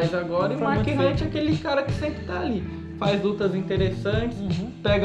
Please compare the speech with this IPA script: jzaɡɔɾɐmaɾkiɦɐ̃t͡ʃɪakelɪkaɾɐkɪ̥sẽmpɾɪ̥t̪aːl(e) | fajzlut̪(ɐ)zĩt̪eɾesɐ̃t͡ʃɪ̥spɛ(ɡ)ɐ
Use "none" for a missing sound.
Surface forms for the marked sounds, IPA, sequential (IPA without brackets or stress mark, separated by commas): i, ɐ, ɡ